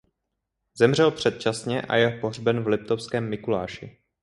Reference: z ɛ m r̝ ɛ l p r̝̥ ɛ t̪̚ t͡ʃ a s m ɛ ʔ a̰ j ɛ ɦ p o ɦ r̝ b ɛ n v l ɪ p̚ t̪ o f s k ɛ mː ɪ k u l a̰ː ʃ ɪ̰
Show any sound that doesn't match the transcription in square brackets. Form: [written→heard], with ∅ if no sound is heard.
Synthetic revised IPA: z ɛ m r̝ ɛ l p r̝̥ ɛ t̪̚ t͡ʃ a s [m→ɲ] ɛ ʔ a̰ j ɛ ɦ p o ɦ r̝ b ɛ n v l ɪ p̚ t̪ o f s k [ɛ→ɛː] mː ɪ k u l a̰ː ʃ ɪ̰